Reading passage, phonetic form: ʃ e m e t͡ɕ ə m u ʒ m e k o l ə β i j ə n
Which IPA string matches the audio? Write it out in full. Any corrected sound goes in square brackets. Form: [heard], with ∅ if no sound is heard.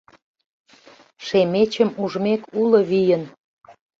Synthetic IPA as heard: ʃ e m e t͡ɕ ə m u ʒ m e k [u] l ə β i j ə n